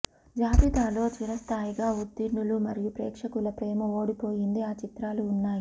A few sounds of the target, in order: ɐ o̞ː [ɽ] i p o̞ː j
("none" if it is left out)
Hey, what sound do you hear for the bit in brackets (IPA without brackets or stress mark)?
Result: ɽ